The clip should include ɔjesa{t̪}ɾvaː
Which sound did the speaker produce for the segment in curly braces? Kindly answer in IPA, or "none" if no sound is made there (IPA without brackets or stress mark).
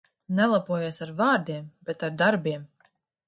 none